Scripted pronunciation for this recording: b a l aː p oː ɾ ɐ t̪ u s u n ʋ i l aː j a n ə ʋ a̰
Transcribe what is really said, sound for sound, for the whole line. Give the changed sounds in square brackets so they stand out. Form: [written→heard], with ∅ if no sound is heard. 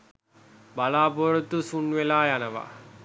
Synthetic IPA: b a l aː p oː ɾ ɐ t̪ u s u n ʋ [i→e] l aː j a n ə ʋ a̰